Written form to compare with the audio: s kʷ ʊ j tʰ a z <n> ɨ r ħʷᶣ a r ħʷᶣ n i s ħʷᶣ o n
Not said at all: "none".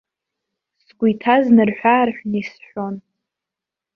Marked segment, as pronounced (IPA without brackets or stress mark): n